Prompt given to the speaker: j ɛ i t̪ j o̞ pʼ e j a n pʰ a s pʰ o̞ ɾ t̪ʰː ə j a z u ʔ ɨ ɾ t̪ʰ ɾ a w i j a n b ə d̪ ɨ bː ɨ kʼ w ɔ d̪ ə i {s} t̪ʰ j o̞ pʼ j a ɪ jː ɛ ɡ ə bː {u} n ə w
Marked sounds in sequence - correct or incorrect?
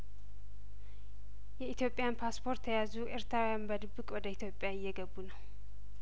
incorrect, correct

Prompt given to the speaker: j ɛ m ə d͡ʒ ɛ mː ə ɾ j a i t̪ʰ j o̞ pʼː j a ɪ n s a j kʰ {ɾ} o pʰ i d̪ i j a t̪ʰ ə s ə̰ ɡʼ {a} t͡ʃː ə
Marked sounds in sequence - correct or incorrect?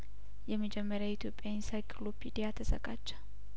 incorrect, correct

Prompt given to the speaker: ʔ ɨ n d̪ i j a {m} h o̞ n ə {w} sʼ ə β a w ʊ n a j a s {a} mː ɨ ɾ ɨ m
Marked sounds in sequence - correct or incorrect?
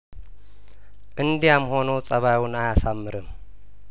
correct, correct, correct

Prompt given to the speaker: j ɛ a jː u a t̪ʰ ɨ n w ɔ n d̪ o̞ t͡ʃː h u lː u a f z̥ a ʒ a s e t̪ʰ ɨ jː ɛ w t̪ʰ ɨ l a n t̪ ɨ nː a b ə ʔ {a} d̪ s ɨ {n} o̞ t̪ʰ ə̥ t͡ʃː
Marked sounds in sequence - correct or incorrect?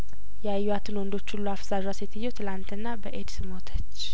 incorrect, incorrect

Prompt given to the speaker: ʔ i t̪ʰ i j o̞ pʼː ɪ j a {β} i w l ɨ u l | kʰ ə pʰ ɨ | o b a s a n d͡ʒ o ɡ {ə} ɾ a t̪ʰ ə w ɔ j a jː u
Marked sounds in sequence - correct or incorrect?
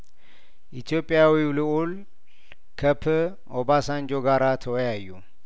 incorrect, incorrect

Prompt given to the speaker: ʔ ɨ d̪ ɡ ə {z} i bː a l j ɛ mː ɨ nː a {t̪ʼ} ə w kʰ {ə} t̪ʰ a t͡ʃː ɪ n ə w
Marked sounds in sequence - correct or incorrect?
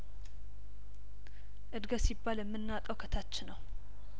incorrect, correct, correct

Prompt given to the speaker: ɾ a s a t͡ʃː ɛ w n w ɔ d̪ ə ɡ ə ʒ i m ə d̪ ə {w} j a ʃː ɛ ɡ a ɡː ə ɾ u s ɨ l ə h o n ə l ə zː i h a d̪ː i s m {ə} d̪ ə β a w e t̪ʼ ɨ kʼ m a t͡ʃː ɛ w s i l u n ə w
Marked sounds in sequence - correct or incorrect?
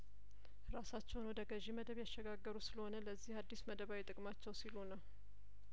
incorrect, correct

